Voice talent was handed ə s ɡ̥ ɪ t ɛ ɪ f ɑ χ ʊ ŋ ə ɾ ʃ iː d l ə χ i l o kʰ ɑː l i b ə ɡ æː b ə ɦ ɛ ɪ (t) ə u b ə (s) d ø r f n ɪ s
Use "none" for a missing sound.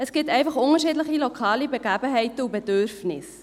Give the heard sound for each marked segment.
t, none

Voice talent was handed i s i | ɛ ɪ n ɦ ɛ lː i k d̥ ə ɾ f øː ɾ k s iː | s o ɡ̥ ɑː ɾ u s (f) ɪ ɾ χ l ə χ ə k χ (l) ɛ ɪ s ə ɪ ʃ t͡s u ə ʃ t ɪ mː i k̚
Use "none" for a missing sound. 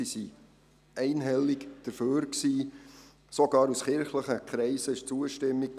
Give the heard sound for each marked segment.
χ, ɾ

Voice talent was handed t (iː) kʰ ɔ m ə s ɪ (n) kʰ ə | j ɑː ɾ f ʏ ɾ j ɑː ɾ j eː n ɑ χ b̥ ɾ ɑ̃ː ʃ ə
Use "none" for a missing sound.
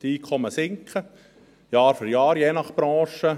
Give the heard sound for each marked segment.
iː, ŋ

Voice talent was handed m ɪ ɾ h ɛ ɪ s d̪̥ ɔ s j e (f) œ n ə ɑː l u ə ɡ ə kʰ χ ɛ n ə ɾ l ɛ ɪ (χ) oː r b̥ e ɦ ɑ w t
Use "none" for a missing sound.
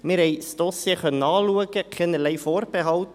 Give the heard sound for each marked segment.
χ, f

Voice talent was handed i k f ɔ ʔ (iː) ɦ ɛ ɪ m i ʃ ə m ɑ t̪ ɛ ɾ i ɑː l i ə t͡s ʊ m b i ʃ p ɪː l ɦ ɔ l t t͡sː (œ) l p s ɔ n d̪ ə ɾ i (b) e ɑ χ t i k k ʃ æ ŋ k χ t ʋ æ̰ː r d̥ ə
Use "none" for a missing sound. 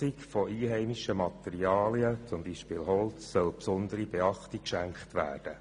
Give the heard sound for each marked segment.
iː, œ, b

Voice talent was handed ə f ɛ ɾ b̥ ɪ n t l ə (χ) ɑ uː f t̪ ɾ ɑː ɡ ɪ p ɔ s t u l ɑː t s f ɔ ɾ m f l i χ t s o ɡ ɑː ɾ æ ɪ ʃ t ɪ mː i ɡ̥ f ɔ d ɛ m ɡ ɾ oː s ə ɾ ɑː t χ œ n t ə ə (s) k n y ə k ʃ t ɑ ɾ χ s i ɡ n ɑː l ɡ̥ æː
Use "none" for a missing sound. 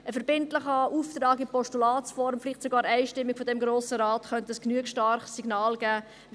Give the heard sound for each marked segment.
χ, s

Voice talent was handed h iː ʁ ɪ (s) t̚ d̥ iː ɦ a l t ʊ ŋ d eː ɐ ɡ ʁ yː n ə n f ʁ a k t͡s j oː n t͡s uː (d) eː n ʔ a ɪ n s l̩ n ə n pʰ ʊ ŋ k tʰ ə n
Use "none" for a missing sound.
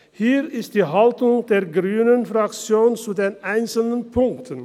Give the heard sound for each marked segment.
s, d

